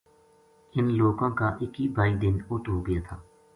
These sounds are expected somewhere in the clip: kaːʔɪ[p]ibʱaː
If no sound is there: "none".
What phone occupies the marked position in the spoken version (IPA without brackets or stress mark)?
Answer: k